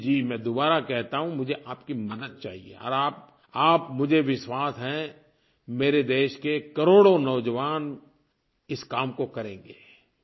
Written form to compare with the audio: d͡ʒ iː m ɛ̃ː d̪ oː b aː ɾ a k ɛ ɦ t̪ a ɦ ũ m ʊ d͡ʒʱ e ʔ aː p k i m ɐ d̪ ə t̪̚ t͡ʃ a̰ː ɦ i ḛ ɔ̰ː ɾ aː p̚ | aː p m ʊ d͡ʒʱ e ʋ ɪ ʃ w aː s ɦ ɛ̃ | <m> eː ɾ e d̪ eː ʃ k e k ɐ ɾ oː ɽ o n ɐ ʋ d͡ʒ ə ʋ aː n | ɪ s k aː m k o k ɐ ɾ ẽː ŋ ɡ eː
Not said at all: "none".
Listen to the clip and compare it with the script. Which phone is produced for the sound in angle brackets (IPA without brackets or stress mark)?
m